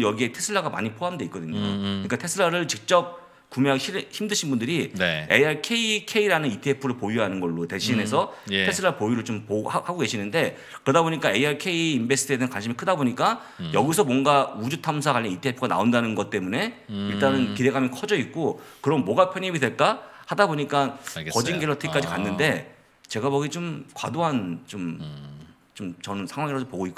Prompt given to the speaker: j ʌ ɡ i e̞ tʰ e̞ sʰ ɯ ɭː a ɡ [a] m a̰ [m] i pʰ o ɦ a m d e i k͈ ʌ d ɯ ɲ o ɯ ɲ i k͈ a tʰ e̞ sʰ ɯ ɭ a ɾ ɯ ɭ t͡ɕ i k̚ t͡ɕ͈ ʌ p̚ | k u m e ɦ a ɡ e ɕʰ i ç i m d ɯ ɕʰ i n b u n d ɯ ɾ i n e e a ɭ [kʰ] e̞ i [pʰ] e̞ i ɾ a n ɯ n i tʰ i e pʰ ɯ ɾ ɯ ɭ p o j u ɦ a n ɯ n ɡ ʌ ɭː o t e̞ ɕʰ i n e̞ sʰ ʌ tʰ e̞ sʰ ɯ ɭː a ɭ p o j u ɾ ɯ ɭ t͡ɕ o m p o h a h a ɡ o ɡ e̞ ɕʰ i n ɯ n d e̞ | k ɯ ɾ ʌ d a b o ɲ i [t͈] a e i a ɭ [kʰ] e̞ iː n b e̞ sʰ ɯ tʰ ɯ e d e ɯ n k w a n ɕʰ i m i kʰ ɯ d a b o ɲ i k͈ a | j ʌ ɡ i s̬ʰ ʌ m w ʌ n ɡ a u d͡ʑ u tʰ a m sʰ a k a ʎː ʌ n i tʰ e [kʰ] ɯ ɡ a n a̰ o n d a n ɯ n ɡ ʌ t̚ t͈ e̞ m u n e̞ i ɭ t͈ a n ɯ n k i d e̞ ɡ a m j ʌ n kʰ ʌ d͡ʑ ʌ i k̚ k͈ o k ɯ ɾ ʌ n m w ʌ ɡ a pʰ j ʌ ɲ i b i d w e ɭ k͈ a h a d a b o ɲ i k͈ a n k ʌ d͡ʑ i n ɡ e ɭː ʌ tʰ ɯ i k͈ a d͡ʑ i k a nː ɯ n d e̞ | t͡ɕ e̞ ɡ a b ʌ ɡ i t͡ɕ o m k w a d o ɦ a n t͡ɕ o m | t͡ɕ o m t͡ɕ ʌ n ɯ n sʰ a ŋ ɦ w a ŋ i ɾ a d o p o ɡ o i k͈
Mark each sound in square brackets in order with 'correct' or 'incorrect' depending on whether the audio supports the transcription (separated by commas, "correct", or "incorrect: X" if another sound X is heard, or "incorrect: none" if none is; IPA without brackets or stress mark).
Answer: correct, incorrect: ɲ, correct, incorrect: kʰ, incorrect: k͈, correct, incorrect: pʰ